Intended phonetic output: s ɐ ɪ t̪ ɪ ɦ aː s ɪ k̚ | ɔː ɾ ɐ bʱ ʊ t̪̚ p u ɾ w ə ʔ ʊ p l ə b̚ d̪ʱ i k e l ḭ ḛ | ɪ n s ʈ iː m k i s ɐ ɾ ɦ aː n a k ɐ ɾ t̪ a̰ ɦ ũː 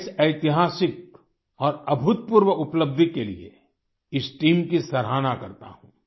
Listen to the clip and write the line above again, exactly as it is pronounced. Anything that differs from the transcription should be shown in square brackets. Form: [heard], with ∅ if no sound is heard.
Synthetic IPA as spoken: s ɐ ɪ t̪ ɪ ɦ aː s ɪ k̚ | ɔː ɾ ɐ bʱ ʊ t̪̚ p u ɾ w ə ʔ ʊ p l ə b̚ d̪ʱ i k e l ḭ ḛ | ɪ [∅] s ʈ iː m k i s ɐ ɾ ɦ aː n a k ɐ ɾ t̪ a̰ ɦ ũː